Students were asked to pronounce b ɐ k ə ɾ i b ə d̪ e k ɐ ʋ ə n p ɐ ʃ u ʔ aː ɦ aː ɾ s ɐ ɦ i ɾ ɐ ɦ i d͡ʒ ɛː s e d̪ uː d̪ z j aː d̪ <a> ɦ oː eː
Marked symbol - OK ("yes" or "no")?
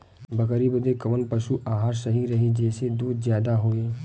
yes